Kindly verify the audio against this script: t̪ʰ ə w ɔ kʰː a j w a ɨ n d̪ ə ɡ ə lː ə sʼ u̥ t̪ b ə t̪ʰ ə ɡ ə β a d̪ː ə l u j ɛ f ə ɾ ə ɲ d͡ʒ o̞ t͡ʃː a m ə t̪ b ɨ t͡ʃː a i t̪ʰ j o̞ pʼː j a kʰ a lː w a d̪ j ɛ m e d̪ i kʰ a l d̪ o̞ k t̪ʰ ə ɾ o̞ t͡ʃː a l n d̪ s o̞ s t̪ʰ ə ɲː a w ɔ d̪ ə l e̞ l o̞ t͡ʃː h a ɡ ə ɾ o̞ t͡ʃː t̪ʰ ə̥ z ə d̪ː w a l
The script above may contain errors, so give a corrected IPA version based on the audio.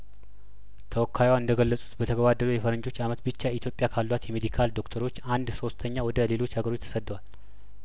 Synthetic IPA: t̪ʰ ə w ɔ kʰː a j w a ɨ n d̪ ə ɡ ə lː ə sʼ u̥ t̪ b ə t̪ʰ ə ɡ ə β a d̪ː ə l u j ɛ f ə ɾ ə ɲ d͡ʒ o̞ t͡ʃː a m ə t̪ b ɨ t͡ʃː a i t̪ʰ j o̞ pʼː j a kʰ a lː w a t̪ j ɛ m e d̪ i kʰ a l d̪ o̞ k t̪ʰ ə ɾ o̞ t͡ʃː a n d̪ s o̞ s t̪ʰ ə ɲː a w ɔ d̪ ə l e̞ l o̞ t͡ʃː h a ɡ ə ɾ o̞ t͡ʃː t̪ʰ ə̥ s ə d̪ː w a l

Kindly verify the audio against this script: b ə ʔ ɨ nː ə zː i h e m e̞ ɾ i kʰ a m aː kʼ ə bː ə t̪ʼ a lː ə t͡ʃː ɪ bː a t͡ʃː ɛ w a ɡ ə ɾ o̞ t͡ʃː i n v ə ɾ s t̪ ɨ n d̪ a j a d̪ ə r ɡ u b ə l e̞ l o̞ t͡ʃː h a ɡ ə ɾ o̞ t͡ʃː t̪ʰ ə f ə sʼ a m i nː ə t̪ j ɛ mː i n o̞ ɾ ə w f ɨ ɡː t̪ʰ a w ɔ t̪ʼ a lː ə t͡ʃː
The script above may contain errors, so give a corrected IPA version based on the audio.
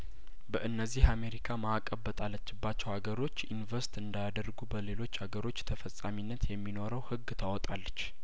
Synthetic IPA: b ə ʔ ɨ nː ə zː i h a m e̞ ɾ i kʰ a m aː kʼ ə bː ə t̪ʼ a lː ə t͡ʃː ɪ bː a t͡ʃː ɛ w a ɡ ə ɾ o̞ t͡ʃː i n v ə ɾ s t̪ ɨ n d̪ a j a d̪ ə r ɡ u b ə l e̞ l o̞ t͡ʃː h a ɡ ə ɾ o̞ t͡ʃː t̪ʰ ə f ə sʼ a m i nː ə t̪ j ɛ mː i n o̞ ɾ ə w h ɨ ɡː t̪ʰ a w ɔ t̪ʼ a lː ə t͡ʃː

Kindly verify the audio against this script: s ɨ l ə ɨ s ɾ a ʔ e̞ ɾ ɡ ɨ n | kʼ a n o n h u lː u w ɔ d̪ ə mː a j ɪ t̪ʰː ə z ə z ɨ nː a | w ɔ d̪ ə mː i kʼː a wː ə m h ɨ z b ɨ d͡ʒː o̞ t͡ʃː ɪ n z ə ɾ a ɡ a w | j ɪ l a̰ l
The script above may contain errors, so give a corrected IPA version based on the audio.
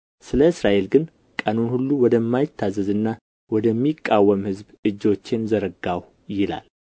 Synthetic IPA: s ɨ l ə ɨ s ɾ a ʔ e̞ l ɡ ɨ n | kʼ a n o n h u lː u w ɔ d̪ ə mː a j ɪ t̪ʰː a z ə z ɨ nː a | w ɔ d̪ ə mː i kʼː a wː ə m h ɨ z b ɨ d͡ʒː o̞ t͡ʃː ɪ n z ə ɾ ə ɡ a w | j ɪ l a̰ l

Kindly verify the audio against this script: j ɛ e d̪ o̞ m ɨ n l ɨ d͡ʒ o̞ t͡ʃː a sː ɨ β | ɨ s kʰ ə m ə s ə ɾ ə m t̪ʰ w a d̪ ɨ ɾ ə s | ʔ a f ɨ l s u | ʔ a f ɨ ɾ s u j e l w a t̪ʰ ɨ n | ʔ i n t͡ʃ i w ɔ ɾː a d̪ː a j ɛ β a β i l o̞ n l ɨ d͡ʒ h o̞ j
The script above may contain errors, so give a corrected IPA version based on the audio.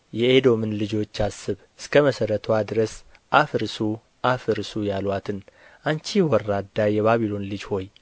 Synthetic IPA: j ɛ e d̪ o̞ m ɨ n l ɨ d͡ʒ o̞ t͡ʃː a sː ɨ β | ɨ s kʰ ə m ə s ə ɾ ə t̪ʰ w a d̪ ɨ ɾ ə s | ʔ a f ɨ ɾ s u | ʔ a f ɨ ɾ s u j a l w a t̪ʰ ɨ n | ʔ a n t͡ʃ i w ɔ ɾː a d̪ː a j ɛ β a β i l o̞ n l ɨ d͡ʒ h o̞ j

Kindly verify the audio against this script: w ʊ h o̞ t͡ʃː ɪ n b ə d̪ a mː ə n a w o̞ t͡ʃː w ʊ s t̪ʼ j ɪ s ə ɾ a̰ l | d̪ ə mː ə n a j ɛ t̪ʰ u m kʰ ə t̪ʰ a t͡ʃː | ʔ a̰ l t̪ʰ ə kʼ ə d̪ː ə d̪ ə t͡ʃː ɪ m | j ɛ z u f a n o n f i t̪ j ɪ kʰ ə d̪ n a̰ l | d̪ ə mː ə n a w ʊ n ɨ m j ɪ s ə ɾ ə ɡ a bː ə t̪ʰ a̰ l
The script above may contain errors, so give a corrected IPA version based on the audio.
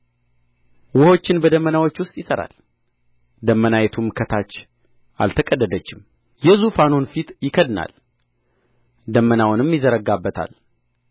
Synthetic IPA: w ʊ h o̞ t͡ʃː ɪ n b ə d̪ ə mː ə n a w o̞ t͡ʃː w ʊ s t̪ʼ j ɪ s ə ɾ a̰ l | d̪ ə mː ə n a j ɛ t̪ʰ u m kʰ ə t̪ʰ a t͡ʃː | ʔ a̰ l t̪ʰ ə kʼ ə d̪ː ə d̪ ə t͡ʃː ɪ m | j ɛ z u f a n o n f i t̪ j ɪ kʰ ə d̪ n a̰ l | d̪ ə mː ə n a w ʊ n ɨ m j ɪ z ə ɾ ə ɡ a bː ə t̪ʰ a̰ l

